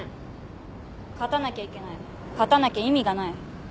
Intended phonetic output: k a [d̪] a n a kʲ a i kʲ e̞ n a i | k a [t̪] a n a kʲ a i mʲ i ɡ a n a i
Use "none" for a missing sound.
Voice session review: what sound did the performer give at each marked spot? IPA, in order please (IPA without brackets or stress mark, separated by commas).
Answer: t̪, t̪